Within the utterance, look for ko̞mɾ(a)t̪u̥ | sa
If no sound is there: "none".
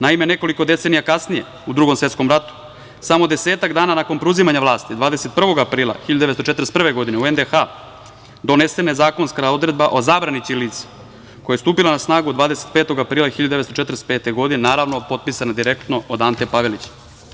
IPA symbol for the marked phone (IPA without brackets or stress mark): a